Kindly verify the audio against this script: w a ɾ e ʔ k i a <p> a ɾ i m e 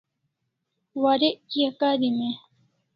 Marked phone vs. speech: incorrect: k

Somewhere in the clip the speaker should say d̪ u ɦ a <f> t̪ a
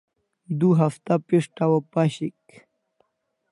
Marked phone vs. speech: correct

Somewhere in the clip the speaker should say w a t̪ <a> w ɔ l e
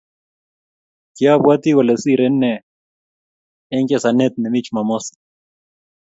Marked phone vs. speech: incorrect: i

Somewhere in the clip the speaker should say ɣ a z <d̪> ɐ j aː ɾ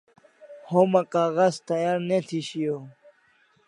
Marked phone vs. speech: incorrect: t̪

